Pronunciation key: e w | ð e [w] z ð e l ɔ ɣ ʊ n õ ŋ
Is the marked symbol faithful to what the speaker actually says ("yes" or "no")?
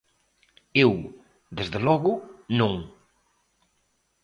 no